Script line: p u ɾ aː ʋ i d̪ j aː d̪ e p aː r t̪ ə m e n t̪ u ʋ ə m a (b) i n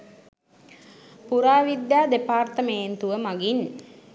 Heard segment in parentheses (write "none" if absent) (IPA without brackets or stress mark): ɡ